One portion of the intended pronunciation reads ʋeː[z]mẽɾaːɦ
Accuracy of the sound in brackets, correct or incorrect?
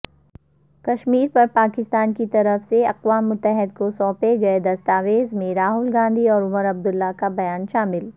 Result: correct